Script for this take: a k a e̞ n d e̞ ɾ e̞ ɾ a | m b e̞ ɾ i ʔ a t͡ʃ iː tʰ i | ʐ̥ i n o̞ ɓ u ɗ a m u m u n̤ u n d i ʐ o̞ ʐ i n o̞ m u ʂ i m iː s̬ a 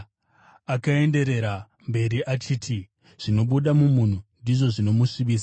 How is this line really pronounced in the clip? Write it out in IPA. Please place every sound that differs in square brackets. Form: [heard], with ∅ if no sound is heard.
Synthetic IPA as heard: a k a e̞ n d e̞ ɾ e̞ ɾ a | m b e̞ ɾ i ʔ a t͡ʃ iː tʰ i | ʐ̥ i n o̞ ɓ u ɗ a m u m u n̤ u n d i ʐ o̞ ʐ i n o̞ m u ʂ i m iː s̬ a